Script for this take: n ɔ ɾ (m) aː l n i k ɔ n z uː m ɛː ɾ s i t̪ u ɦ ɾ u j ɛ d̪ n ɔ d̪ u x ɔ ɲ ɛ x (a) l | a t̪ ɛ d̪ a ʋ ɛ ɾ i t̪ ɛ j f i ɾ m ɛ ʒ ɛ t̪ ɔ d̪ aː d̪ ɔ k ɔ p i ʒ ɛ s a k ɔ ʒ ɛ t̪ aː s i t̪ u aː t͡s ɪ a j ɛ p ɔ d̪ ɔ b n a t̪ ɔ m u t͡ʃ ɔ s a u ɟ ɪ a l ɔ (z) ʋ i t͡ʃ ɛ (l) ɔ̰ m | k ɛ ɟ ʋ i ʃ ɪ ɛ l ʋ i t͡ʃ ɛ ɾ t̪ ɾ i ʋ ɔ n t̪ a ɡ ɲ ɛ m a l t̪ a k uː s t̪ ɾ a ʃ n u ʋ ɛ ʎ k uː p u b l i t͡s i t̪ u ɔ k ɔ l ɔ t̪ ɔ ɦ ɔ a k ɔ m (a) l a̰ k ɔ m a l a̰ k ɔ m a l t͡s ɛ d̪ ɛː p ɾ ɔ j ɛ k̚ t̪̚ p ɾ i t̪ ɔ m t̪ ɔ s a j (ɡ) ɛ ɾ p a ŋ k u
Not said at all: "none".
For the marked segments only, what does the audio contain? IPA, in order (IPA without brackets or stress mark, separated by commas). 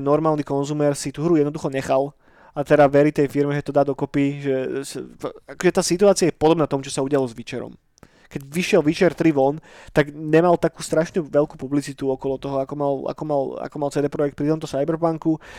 m, a, z, ɾ, a, b